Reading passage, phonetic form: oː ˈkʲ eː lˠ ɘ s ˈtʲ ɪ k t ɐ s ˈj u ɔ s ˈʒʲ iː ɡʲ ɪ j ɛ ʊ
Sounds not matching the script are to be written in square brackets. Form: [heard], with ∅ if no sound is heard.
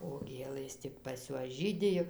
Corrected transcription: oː [ˈɡʲ] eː lˠ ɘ s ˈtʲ ɪ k [p] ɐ s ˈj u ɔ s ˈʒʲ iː [dʲ] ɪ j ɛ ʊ

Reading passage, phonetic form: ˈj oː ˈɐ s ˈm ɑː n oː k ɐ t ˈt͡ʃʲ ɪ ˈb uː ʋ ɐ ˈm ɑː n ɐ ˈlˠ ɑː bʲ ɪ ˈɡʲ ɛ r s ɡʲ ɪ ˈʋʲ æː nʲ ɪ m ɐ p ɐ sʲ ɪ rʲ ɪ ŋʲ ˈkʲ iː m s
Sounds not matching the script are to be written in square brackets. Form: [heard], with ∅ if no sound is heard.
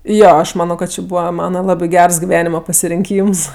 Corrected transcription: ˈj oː ˈɐ [ʃ] ˈm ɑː n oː k ɐ t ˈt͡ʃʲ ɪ ˈb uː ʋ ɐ ˈm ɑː n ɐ ˈlˠ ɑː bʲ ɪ ˈɡʲ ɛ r s ɡʲ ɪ ˈʋʲ æː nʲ ɪ m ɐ p ɐ sʲ ɪ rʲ ɪ ŋʲ ˈkʲ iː m s

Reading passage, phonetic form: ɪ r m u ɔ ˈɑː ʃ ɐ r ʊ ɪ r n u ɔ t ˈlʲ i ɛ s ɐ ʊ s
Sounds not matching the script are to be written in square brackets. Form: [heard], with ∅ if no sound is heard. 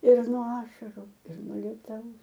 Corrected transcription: ɪ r [n] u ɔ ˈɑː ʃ ɐ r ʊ ɪ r n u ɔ [∅] ˈlʲ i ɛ [t] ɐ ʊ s

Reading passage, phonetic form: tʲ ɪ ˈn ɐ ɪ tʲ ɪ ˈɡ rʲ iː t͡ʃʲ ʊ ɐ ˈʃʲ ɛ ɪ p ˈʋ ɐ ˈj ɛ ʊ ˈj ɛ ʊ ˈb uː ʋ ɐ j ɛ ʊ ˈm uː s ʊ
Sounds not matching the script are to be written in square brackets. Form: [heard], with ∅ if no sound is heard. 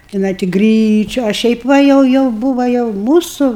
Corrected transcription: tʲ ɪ ˈn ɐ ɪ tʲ ɪ ˈɡ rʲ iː t͡ʃʲ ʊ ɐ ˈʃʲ ɛ ɪ p ˈʋ ɐ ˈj ɛ ʊ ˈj ɛ ʊ ˈb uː ʋ ɐ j ɛ ʊ ˈm uː s ʊ

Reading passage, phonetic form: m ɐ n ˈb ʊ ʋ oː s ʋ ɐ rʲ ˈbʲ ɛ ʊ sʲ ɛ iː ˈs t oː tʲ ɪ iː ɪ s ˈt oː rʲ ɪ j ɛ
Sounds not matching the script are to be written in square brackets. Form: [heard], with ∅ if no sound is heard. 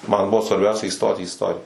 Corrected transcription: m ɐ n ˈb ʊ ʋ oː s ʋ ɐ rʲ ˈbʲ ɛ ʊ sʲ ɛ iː ˈs t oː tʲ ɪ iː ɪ s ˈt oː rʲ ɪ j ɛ

